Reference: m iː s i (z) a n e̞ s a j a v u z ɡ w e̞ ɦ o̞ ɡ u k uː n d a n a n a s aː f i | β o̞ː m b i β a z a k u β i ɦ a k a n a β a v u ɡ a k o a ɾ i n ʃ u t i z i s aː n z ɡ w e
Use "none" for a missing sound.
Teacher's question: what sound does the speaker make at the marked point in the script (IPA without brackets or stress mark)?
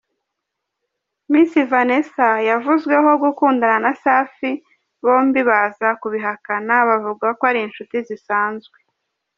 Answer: v